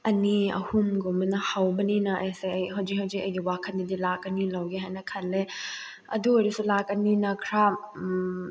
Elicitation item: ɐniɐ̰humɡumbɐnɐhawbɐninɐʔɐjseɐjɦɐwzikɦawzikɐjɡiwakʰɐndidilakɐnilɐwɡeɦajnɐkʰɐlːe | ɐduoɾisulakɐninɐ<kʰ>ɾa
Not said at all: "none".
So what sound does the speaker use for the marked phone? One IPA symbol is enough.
kʰ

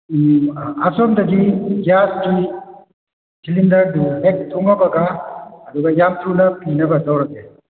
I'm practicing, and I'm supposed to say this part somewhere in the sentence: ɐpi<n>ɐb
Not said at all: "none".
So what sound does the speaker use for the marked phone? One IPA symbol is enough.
n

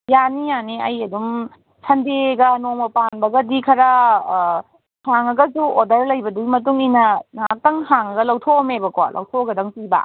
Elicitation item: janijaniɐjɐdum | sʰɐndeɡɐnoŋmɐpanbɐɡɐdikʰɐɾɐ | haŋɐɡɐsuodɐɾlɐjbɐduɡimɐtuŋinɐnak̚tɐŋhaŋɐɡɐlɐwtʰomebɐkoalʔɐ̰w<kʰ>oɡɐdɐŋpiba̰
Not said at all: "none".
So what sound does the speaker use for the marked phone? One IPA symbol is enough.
tʰ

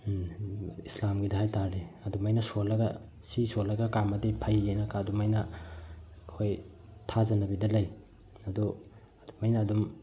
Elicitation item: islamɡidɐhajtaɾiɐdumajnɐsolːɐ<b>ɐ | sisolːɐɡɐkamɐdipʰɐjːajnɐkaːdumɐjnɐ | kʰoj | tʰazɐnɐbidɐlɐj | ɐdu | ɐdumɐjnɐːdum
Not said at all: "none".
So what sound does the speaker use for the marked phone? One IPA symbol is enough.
ɡ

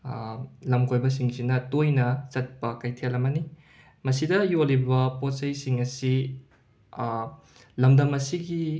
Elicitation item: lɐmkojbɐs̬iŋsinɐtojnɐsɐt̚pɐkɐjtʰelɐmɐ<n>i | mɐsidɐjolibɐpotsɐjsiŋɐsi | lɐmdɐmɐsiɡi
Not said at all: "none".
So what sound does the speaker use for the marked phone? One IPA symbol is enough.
n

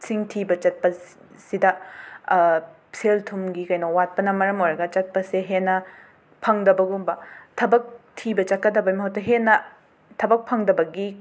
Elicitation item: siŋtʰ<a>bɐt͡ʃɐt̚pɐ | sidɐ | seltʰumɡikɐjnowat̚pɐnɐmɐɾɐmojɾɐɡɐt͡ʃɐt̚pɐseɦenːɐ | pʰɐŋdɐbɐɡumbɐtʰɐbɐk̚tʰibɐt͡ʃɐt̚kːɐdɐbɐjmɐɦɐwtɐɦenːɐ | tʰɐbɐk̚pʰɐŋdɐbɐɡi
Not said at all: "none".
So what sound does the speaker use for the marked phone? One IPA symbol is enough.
i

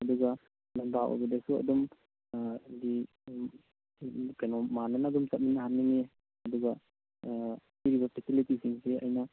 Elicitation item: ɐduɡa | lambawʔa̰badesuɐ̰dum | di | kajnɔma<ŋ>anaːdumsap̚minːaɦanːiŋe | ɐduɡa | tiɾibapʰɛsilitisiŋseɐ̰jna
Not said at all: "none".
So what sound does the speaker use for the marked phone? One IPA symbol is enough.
n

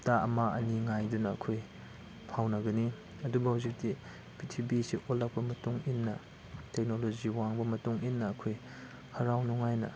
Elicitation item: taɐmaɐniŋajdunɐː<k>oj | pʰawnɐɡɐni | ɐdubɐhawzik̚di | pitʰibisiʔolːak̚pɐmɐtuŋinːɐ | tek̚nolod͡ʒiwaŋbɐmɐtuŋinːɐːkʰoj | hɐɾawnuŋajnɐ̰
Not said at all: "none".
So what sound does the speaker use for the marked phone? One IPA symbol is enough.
kʰ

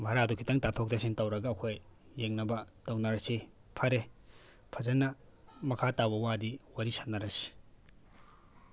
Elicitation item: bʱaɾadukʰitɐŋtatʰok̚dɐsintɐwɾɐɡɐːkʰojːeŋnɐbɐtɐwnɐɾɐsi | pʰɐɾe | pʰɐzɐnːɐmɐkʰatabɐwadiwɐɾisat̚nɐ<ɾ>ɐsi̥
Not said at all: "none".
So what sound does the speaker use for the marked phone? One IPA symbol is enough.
ɾ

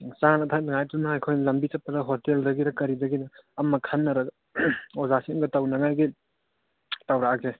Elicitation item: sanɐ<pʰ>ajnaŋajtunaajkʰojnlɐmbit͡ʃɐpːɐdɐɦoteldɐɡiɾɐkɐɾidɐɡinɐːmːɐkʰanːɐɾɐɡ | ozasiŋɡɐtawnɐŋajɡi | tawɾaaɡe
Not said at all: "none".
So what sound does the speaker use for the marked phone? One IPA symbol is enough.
tʰ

